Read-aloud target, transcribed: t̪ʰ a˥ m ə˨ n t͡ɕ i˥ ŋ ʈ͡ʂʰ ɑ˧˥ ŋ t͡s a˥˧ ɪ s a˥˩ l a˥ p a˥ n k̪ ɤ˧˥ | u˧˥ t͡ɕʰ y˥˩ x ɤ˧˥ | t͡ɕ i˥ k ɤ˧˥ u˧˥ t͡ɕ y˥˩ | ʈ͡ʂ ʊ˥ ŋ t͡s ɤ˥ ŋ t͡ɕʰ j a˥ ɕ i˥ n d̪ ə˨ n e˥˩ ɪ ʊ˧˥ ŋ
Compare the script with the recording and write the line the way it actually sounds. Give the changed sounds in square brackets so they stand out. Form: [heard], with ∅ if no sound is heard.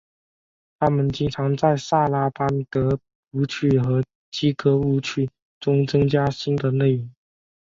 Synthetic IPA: t̪ʰ a˥ m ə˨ n t͡ɕ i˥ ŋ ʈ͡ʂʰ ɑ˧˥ ŋ t͡s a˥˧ ɪ s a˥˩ l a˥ p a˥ n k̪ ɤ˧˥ | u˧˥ t͡ɕʰ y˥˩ x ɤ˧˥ | t͡ɕ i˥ k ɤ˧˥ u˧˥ [t͡ɕʰ] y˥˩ | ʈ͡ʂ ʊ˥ ŋ t͡s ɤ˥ ŋ [t͡ɕ] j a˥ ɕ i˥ n d̪ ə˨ n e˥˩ ɪ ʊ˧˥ ŋ